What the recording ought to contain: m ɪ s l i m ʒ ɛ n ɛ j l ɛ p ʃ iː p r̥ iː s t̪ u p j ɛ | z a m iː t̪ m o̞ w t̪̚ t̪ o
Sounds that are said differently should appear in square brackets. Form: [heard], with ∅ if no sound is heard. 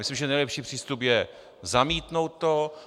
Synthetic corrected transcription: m ɪ s l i m ʒ ɛ n ɛ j l ɛ p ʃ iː p r̥ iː s t̪ u p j ɛ | z a m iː t̪ [n] o̞ w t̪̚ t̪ o